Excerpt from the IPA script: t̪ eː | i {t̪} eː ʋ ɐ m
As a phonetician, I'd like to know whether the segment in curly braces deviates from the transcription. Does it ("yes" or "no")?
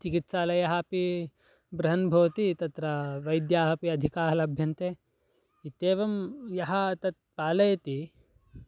no